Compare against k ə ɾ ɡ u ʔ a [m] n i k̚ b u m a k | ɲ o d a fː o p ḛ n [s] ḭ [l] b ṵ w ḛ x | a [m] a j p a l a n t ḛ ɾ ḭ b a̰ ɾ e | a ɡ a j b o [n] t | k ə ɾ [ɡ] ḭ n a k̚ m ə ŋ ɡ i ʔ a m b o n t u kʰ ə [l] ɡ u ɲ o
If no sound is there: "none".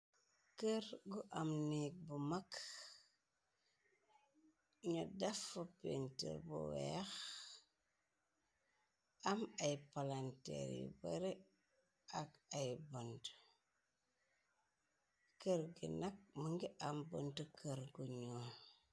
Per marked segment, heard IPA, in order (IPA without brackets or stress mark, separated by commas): m, t, ɾ, m, n, ɡ, ɾ